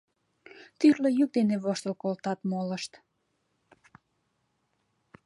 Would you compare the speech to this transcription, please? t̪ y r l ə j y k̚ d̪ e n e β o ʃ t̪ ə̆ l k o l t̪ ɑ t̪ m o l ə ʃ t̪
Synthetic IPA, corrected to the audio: t̪ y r l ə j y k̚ d̪ e n e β o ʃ t̪ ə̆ l k o l t̪ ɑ t̪ m o l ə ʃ t̪

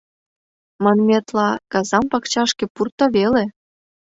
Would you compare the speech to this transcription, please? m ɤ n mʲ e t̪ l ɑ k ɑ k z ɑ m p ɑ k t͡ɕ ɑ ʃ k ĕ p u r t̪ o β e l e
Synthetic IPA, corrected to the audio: m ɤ n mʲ e t̪ l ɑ k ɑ z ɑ m p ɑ k t͡ɕ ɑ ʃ k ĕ p u r t̪ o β e l e

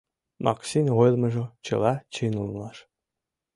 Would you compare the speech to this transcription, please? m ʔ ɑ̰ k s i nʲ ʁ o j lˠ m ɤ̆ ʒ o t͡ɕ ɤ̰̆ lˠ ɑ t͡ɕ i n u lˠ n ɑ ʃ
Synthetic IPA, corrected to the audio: m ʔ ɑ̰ k s i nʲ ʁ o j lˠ m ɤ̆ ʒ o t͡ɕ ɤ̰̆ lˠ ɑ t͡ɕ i n u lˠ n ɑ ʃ

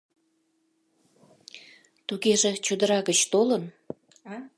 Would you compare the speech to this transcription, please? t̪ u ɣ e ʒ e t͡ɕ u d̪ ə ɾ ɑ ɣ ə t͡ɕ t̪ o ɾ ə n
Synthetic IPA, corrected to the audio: t̪ u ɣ e ʒ e t͡ɕ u d̪ ə ɾ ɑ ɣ ə t͡ɕ t̪ o l ə n

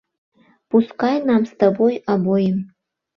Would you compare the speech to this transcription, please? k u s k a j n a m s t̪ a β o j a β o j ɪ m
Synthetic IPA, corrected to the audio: p u s k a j n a m s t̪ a b o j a b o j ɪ m

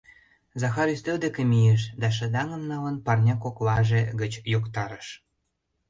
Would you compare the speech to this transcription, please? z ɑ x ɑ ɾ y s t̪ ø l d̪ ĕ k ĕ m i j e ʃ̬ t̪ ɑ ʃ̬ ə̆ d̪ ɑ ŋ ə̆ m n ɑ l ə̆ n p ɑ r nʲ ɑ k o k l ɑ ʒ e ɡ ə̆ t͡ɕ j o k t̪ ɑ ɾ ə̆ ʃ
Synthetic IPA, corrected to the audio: z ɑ x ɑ ɾ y s t̪ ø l d̪ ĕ k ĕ m i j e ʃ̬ d̪ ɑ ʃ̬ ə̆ d̪ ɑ ŋ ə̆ m n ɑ l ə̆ n p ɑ r nʲ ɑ k o k l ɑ ʒ e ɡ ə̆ t͡ɕ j o k t̪ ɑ ɾ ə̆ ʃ

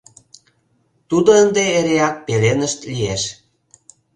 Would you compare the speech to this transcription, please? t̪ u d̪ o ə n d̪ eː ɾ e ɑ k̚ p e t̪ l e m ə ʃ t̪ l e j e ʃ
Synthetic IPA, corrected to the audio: t̪ u d̪ o ə n d̪ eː ɾ e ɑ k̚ p e l e n ə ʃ t̪ l i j e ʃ

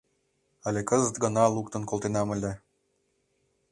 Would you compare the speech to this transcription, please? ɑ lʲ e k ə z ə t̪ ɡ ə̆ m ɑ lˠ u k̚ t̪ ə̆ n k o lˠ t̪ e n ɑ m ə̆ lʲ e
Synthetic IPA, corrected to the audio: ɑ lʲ e k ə z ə t̪ ɡ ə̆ n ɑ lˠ u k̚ t̪ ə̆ n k o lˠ t̪ e n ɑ m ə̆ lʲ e

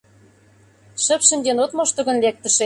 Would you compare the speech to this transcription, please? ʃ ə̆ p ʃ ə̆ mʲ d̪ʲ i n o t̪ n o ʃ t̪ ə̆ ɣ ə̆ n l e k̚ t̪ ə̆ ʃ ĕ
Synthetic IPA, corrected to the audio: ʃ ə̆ p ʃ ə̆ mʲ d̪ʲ e n o t̪ m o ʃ t̪ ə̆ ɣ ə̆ n l e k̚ t̪ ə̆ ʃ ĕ

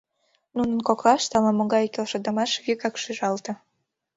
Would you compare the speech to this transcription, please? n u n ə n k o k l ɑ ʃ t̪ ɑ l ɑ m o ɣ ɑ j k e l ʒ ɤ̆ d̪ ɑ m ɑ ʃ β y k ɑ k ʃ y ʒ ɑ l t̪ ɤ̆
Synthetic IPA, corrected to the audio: n u n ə n k o k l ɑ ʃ t̪ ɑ l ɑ m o ɣ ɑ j k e l ʃ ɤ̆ d̪ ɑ m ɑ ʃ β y k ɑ k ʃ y ʒ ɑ l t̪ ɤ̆

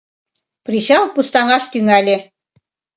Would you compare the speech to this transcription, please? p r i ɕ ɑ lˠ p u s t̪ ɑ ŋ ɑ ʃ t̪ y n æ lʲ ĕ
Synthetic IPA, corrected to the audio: p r i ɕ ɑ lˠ p u s t̪ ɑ ŋ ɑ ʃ t̪ y ŋ æ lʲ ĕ

